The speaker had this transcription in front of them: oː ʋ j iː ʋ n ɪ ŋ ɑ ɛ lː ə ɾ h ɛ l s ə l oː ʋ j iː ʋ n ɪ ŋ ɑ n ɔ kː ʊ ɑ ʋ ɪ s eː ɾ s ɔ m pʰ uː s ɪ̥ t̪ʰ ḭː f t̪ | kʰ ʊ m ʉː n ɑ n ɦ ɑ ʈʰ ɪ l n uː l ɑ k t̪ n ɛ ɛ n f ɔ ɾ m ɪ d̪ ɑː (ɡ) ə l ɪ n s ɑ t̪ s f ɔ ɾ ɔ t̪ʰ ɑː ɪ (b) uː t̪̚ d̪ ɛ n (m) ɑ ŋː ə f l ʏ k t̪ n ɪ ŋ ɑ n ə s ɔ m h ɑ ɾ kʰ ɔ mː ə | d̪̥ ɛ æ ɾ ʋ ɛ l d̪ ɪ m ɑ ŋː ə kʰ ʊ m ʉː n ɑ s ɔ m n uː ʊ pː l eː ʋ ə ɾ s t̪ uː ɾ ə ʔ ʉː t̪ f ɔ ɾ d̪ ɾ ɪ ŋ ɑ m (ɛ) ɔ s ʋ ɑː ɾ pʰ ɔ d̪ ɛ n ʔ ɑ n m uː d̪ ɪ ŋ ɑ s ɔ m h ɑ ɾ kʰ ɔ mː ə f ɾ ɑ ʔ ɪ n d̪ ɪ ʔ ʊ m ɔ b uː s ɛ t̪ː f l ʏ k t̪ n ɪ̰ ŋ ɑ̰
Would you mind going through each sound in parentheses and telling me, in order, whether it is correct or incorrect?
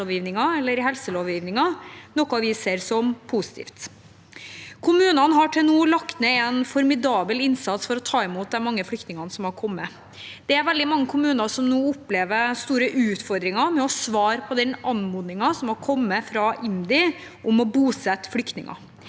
incorrect: b, incorrect: m, correct, correct

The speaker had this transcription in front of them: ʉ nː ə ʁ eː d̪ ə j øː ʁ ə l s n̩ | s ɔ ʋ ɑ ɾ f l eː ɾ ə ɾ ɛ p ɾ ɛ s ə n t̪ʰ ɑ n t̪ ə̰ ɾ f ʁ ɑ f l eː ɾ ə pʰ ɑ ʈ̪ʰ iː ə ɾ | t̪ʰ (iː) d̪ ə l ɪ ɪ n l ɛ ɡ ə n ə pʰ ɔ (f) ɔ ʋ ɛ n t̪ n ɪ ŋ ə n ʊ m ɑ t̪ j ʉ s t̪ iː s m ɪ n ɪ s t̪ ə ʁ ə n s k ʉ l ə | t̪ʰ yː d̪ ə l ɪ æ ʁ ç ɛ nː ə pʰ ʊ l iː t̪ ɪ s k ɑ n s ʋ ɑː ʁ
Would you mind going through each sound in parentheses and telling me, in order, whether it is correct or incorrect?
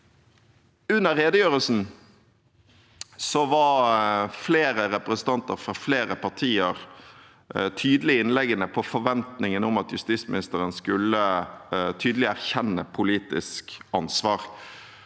incorrect: yː, correct

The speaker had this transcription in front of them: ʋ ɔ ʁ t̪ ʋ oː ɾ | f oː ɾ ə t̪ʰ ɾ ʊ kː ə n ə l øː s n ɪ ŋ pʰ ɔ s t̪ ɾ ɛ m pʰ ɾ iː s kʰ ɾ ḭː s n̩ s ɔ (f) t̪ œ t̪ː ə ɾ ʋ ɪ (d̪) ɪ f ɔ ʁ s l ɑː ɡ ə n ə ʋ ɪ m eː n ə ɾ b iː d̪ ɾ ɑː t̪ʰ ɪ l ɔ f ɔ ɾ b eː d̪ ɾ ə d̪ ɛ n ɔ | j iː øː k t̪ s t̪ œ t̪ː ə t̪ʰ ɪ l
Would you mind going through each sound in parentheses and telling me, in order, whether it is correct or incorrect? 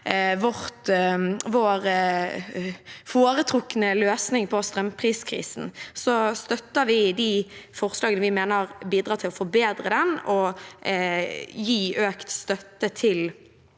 incorrect: s, correct

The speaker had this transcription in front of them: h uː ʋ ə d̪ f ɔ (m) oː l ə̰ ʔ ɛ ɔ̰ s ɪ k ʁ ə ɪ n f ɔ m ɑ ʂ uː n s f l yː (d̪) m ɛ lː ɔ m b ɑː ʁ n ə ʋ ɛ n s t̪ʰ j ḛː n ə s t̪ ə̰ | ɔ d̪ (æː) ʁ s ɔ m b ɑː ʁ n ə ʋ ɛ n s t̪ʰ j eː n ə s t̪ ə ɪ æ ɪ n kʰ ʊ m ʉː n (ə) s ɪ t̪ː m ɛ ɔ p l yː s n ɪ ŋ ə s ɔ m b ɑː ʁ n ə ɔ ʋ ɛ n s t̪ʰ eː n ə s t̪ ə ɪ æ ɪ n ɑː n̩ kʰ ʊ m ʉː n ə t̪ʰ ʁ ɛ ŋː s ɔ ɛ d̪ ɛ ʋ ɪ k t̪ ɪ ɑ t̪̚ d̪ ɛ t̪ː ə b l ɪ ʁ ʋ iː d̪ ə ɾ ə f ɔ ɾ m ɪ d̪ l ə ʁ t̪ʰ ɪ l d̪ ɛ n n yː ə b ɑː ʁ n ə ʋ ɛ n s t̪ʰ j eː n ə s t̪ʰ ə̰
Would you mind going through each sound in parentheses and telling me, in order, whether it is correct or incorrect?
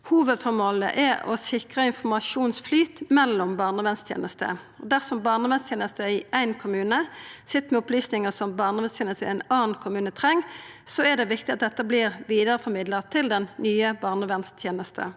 correct, incorrect: t̪, incorrect: æ, correct

